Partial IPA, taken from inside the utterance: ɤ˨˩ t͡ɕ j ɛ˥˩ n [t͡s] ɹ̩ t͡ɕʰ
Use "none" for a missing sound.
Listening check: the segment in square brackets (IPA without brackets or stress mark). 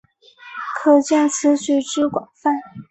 t͡sʰ